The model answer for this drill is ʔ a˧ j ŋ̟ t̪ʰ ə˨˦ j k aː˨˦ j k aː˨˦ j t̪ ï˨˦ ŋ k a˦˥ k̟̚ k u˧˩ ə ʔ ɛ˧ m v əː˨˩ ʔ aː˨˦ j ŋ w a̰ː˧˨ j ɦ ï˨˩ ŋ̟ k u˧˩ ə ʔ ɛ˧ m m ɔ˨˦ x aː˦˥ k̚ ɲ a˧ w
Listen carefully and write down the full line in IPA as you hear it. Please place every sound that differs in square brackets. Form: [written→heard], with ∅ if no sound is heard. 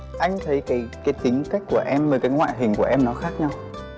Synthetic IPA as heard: ʔ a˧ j ŋ̟ t̪ʰ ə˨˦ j k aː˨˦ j k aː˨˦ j t̪ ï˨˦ ŋ k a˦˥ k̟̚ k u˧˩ ə ʔ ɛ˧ m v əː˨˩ [ʔ→k] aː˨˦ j ŋ w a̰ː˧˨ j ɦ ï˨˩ ŋ̟ k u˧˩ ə ʔ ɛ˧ m [m→n] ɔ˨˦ x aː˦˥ k̚ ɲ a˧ w

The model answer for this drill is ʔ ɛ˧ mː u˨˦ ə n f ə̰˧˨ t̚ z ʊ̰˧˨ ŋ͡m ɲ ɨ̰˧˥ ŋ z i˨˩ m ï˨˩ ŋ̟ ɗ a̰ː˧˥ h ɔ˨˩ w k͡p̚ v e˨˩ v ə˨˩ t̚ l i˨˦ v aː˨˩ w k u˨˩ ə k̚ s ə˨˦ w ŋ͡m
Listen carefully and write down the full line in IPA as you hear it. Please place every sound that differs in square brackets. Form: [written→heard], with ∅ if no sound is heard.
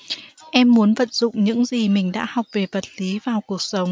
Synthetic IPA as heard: ʔ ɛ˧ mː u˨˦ ə n [f→v] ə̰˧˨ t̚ z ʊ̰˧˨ ŋ͡m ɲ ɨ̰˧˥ ŋ z i˨˩ m ï˨˩ ŋ̟ ɗ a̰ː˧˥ h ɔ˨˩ w k͡p̚ v e˨˩ v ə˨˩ t̚ l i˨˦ v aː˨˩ w k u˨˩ ə k̚ s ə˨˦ w ŋ͡m

